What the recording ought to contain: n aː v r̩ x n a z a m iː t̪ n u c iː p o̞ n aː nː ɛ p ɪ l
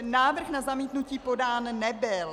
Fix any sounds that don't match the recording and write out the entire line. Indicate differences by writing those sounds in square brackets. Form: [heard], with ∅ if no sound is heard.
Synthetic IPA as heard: n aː v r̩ x n a z a m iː t̪ n u c iː p o̞ [d] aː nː ɛ [b] ɪ l

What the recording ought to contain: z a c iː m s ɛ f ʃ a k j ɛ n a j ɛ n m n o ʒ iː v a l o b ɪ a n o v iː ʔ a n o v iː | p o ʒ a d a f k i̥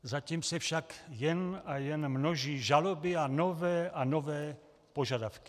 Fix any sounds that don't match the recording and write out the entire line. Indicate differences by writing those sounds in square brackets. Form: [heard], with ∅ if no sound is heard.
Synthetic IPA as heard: z a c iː m s ɛ f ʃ a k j ɛ n a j ɛ n m n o ʒ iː [ʒ] a l o b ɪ a n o v [ɛː] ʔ a n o v [ɛː] | p o ʒ a d a f k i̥

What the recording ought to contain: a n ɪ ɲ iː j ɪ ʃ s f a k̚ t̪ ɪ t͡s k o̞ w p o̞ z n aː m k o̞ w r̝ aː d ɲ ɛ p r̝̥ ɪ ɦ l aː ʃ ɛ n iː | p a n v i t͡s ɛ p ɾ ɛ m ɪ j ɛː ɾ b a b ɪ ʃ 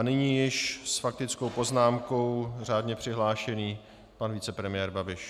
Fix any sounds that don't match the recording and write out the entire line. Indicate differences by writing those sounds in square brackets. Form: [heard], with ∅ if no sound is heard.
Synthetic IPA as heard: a n ɪ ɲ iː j ɪ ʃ s f a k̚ t̪ ɪ t͡s k o̞ w p o̞ z n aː m k o̞ w r̝ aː d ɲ ɛ p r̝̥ ɪ ɦ l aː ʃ ɛ n iː | p a n v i t͡s ɛ p ɾ ɛ m ɪ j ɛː ɾ b a b ɪ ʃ

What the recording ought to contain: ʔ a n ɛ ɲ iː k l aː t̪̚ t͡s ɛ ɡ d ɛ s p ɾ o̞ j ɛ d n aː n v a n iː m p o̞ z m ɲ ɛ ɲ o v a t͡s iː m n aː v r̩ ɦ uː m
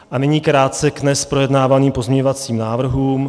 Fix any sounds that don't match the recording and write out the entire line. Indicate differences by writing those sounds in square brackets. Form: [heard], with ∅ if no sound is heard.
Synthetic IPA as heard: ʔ a n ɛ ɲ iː k [ɾ] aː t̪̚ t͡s ɛ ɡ [n] ɛ s p ɾ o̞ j ɛ d n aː [∅] v a n iː m p o̞ z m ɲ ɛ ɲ o v a t͡s iː m n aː v r̩ ɦ uː m

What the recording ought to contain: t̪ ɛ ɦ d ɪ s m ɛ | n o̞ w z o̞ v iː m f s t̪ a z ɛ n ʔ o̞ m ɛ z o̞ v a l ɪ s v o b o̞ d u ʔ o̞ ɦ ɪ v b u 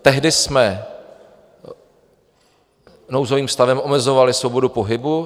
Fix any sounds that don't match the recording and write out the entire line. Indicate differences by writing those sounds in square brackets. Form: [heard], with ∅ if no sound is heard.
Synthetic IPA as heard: t̪ ɛ ɦ d ɪ s m ɛ | n o̞ w z o̞ v iː m f s t̪ a [v] ɛ [m] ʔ o̞ m ɛ z o̞ v a l ɪ s v o b o̞ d u [p] o̞ ɦ ɪ [∅] b u

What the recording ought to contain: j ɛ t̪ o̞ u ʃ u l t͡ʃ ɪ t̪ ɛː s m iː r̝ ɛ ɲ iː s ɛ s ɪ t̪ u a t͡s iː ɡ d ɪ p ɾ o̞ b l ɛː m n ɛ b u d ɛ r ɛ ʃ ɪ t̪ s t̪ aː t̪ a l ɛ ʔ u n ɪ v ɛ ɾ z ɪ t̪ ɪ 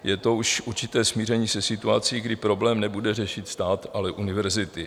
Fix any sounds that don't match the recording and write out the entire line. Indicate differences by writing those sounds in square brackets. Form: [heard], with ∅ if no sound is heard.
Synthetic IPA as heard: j ɛ t̪ o̞ u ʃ u [ɾ] t͡ʃ ɪ t̪ ɛː s m iː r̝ ɛ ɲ iː s ɛ s ɪ t̪ u a t͡s iː ɡ d ɪ p ɾ o̞ b l ɛː m n ɛ b u d ɛ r ɛ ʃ ɪ t̪ s t̪ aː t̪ a l ɛ ʔ u n ɪ v ɛ ɾ z ɪ t̪ ɪ

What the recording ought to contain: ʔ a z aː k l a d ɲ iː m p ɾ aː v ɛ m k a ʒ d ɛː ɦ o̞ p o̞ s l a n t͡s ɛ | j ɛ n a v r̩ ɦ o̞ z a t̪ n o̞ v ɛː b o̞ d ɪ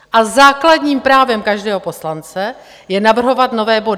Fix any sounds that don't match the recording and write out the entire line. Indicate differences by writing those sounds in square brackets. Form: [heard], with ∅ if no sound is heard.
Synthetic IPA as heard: ʔ a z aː k l a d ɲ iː m p ɾ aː v ɛ m k a ʒ d ɛː ɦ o̞ p o̞ s l a n t͡s ɛ | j ɛ n a v r̩ ɦ o̞ [v] a t̪ n o̞ v ɛː b o̞ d ɪ

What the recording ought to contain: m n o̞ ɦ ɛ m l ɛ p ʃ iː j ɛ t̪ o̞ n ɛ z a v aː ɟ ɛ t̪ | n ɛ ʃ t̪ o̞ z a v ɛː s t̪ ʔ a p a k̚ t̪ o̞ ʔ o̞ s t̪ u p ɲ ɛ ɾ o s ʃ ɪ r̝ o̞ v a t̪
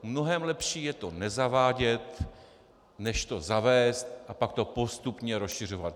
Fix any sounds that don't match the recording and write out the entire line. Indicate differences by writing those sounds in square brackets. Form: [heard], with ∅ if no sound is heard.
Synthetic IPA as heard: m n o̞ ɦ ɛ m l ɛ p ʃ iː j ɛ t̪ o̞ n ɛ z a v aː ɟ ɛ t̪ | n ɛ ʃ t̪ o̞ z a v ɛː s t̪ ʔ a p a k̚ t̪ o̞ [p] o̞ s t̪ u p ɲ ɛ ɾ o s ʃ ɪ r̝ o̞ v a t̪

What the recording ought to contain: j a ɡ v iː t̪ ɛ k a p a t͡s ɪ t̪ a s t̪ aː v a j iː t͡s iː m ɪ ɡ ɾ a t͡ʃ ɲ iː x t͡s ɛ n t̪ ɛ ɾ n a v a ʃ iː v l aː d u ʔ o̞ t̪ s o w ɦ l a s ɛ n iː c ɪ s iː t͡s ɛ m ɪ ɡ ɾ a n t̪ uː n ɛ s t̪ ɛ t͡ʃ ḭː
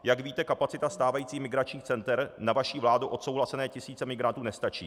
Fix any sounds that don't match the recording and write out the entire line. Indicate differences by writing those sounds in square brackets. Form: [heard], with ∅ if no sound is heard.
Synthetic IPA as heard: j a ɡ v iː t̪ ɛ k a p a t͡s ɪ t̪ a s t̪ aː v a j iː t͡s iː m ɪ ɡ ɾ a t͡ʃ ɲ iː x t͡s ɛ n t̪ ɛ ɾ n a v a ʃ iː v l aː d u ʔ o̞ t̪ s o w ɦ l a s ɛ n [ɛː] c ɪ s iː t͡s ɛ m ɪ ɡ ɾ a n t̪ uː n ɛ s t̪ [a] t͡ʃ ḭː

